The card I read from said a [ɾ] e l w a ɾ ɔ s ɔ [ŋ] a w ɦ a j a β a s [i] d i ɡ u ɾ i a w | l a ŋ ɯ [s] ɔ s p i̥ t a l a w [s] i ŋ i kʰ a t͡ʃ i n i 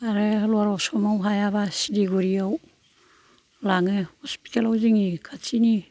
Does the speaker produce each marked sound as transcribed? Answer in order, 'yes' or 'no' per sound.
yes, no, yes, no, no

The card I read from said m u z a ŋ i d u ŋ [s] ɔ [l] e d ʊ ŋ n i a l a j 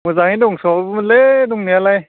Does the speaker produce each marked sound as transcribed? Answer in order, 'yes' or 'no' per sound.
yes, yes

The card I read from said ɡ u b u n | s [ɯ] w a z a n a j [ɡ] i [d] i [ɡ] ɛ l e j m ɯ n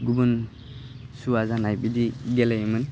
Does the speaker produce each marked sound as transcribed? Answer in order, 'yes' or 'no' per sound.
no, no, yes, yes

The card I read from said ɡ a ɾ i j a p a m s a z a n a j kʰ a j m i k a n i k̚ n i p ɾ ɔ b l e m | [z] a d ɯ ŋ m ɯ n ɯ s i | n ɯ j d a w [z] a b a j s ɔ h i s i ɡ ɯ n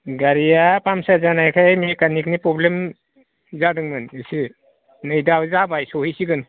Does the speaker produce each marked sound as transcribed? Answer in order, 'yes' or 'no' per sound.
yes, yes

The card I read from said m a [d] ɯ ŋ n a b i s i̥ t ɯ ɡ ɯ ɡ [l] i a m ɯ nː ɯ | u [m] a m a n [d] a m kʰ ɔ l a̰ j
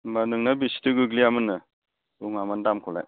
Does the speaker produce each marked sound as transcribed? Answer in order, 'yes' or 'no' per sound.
no, yes, no, yes

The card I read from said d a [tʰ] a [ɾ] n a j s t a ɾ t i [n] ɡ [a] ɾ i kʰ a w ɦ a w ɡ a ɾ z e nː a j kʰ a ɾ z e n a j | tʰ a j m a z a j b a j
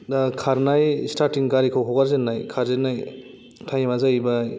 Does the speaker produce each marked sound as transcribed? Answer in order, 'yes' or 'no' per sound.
no, yes, no, yes

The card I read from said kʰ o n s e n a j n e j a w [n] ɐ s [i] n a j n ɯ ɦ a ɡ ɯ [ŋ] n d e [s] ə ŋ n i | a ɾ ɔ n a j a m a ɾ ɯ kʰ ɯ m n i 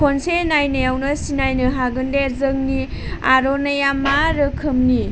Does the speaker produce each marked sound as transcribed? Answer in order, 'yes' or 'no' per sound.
yes, yes, no, no

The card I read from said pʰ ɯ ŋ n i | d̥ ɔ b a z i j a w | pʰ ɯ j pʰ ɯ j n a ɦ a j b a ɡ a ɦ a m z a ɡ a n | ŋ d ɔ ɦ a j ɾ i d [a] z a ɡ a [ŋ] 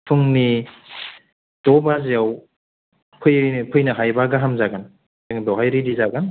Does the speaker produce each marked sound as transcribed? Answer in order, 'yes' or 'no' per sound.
no, no

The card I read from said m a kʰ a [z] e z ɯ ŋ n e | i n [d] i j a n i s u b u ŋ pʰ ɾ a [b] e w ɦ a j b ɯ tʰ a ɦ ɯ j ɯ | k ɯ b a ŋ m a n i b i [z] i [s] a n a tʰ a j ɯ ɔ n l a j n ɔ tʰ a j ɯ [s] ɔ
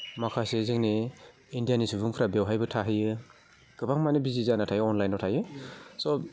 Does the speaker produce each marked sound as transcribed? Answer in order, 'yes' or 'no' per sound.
no, yes, yes, yes, no, yes

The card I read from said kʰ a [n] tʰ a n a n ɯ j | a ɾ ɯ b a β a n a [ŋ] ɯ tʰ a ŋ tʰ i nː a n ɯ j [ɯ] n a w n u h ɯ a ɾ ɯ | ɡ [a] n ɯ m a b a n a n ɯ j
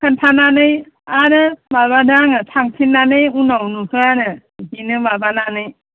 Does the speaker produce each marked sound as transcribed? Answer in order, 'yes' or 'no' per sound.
yes, yes, no, no

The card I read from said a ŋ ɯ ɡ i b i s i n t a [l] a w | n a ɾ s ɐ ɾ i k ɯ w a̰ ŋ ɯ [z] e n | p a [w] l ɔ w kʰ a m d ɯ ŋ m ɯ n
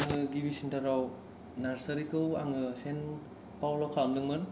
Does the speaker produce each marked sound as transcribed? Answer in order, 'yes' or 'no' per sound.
no, no, yes

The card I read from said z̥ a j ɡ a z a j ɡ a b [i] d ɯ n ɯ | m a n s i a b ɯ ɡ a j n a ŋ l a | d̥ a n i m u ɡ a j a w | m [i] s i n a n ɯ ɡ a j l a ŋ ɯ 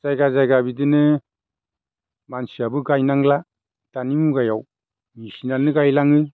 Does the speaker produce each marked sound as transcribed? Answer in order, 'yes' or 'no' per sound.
yes, yes

